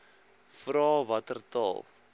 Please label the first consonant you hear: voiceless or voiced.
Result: voiceless